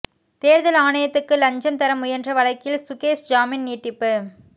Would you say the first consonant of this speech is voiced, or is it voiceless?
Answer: voiceless